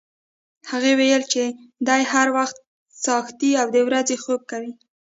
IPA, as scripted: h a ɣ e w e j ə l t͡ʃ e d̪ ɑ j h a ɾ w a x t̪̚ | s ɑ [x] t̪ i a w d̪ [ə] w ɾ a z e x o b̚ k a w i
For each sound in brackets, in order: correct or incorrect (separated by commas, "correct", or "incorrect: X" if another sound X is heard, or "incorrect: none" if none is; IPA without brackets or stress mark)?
correct, correct